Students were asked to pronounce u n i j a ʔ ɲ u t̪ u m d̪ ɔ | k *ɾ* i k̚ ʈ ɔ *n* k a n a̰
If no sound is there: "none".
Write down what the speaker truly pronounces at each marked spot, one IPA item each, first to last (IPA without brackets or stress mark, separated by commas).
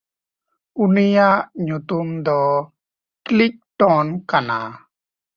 l, n